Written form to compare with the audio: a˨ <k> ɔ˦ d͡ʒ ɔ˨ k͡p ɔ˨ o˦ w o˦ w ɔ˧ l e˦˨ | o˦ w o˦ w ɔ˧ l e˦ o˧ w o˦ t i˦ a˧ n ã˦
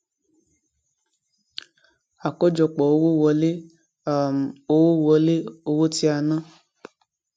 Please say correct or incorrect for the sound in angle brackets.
correct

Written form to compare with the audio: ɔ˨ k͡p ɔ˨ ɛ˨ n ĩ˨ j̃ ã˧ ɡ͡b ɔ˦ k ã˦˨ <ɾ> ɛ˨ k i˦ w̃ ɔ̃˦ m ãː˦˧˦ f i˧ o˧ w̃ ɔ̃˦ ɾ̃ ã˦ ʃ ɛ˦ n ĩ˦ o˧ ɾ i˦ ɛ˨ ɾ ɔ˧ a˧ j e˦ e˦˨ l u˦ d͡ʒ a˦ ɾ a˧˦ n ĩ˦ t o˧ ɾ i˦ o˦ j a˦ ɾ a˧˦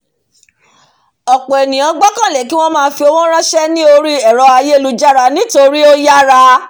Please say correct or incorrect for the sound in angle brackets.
incorrect: l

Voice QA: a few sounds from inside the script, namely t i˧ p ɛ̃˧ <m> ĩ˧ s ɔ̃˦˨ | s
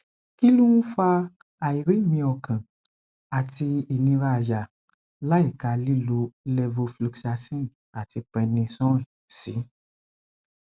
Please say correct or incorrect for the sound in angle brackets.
incorrect: n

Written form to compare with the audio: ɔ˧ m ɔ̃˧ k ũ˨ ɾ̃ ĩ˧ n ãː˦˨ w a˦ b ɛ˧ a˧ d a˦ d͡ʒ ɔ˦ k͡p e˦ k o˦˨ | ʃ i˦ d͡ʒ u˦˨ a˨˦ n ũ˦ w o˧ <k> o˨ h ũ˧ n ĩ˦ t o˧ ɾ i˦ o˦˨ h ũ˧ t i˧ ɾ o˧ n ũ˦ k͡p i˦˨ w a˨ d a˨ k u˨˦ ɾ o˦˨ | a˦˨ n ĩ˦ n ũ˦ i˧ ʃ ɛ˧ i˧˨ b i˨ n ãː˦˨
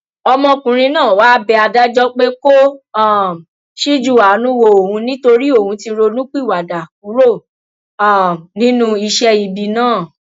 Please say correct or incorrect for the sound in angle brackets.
incorrect: none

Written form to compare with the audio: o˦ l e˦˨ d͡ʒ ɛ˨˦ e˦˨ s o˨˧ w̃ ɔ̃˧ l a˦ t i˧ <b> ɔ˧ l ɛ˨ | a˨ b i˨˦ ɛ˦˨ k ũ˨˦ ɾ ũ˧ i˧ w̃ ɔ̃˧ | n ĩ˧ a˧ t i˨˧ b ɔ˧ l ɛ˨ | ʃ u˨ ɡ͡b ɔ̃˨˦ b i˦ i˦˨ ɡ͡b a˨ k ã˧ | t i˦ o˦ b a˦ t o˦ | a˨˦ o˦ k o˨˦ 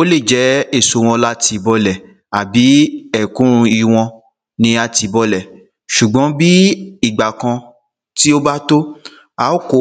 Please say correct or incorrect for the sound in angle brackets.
correct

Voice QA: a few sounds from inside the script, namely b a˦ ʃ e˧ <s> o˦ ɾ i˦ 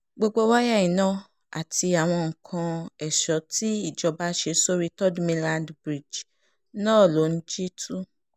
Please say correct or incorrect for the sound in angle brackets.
correct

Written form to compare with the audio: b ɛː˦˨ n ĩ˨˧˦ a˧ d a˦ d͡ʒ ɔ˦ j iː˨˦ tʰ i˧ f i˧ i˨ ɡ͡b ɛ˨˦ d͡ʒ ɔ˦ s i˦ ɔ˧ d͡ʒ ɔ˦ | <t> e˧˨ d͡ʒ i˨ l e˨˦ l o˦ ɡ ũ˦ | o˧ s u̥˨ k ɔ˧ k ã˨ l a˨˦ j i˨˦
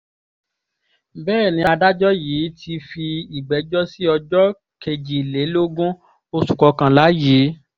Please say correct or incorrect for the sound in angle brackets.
incorrect: k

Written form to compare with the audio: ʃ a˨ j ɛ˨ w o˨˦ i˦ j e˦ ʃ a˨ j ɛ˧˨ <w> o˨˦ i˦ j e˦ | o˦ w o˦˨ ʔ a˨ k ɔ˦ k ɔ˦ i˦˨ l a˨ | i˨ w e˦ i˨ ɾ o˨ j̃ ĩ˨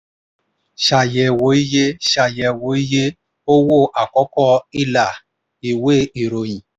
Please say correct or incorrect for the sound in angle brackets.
correct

